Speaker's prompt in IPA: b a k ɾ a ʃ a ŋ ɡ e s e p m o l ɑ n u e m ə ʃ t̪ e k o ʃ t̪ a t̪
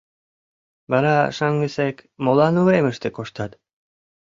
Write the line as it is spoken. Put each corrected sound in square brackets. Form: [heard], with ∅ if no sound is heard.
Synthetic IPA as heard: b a [∅] ɾ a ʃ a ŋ ɡ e s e [k] m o l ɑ n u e m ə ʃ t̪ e k o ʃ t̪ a t̪